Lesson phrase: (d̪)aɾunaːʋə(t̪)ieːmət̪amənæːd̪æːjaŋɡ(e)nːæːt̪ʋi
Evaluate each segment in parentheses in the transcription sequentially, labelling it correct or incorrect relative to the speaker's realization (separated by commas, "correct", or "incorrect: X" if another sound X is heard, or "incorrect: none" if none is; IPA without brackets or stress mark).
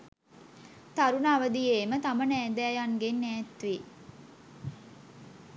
incorrect: t̪, incorrect: d̪, correct